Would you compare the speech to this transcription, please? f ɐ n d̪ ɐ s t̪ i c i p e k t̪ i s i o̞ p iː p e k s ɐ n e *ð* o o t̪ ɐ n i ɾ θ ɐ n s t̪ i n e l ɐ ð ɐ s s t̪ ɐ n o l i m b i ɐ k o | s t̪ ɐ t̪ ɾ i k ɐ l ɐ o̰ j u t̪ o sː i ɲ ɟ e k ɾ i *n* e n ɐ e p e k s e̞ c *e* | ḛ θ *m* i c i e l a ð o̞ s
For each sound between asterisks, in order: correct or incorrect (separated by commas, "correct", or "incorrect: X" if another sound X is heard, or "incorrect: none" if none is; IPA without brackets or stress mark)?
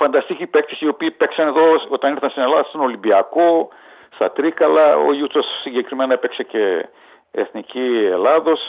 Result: correct, incorrect: m, correct, incorrect: n